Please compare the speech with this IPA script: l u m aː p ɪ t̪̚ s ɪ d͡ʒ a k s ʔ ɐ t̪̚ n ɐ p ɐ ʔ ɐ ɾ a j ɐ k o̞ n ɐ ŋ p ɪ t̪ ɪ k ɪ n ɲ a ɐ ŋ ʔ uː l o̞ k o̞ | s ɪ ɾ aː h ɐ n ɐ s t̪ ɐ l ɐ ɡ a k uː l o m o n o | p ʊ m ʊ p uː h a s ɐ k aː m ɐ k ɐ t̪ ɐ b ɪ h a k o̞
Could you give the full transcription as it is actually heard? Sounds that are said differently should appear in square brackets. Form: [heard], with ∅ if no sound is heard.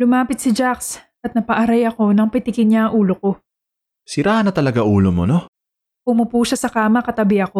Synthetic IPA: l [ʊ] m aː p ɪ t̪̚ s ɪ d͡ʒ a k s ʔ ɐ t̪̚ n ɐ p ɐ ʔ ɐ ɾ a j ɐ k o̞ n ɐ ŋ p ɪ t̪ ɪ k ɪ n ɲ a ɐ ŋ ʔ uː l o̞ k o̞ | s ɪ ɾ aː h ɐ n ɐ [∅] t̪ ɐ l ɐ ɡ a [ʔ] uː l o m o n o | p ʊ m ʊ p uː [ʃ] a s ɐ k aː m ɐ k ɐ t̪ ɐ b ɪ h [ɐ] k o̞